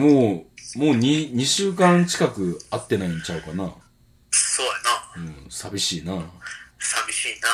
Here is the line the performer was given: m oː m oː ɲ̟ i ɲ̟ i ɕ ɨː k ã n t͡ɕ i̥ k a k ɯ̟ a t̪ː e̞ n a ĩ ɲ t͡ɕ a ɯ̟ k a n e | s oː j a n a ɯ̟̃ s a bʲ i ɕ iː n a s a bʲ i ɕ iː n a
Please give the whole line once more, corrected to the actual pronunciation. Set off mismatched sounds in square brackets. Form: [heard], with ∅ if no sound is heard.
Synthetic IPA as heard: m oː m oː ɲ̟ i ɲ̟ i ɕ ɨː k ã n t͡ɕ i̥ k a k ɯ̟ a t̪ː e̞ n a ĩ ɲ t͡ɕ a ɯ̟ k a n [a] | s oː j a n a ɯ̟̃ s a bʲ i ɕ iː n a s a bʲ i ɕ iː n a